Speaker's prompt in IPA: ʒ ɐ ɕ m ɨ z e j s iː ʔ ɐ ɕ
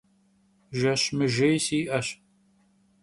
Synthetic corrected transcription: ʒ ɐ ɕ m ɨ ʒ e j s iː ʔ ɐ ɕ